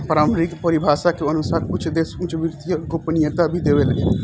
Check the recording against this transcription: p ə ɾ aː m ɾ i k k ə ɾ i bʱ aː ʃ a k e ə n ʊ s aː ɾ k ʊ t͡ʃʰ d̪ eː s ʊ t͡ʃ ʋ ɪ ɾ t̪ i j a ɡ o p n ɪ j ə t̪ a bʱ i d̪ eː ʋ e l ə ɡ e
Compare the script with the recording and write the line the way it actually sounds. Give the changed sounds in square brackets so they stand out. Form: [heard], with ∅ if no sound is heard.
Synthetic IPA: p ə ɾ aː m ɾ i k [p] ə ɾ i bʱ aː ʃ a k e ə n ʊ s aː ɾ k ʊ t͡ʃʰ d̪ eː s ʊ t͡ʃ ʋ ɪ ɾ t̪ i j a ɡ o p n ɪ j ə t̪ a bʱ i d̪ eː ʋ e l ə ɡ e